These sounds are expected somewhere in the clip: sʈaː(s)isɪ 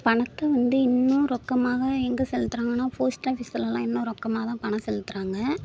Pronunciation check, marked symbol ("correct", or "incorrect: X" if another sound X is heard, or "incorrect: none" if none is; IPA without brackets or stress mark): incorrect: f